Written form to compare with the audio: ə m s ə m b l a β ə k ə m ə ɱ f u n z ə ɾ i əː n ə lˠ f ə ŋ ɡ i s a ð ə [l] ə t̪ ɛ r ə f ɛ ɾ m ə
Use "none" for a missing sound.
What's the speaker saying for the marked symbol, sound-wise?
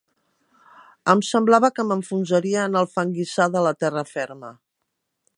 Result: l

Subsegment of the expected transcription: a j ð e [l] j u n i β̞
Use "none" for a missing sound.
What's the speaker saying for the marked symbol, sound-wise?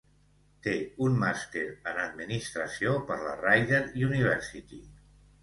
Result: ɾ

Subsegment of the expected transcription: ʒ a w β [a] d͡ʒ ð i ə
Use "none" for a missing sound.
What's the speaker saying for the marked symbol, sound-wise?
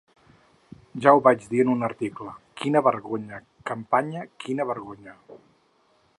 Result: a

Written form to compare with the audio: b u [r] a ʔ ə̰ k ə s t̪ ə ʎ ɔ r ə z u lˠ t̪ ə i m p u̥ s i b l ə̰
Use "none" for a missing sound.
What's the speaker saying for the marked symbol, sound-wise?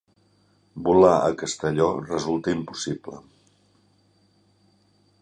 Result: l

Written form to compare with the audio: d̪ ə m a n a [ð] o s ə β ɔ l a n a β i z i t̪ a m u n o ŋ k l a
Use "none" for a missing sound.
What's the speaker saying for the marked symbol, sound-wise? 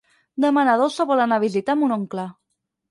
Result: ð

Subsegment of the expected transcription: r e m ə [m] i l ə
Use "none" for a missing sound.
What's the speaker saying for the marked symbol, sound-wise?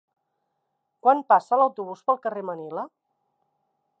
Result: n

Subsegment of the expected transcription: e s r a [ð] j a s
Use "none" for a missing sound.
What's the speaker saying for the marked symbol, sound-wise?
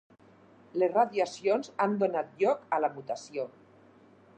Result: ð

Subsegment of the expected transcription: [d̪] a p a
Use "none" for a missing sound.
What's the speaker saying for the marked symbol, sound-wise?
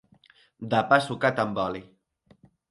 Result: d̪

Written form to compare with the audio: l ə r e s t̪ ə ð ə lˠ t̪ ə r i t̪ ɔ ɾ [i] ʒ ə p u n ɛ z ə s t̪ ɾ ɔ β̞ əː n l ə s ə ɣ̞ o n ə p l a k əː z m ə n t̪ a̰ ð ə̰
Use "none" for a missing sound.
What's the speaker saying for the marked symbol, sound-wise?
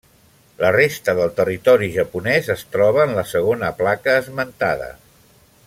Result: i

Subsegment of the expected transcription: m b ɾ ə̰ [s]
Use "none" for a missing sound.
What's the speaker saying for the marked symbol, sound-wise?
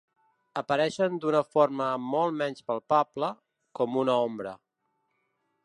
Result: none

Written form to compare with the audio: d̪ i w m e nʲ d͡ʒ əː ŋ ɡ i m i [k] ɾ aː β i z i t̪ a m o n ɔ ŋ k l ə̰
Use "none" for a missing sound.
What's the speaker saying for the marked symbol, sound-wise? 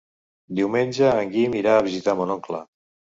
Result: none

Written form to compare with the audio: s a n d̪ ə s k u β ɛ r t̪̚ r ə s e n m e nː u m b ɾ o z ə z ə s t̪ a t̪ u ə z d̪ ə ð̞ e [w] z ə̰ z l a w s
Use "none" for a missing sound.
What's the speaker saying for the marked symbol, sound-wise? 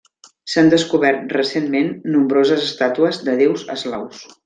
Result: w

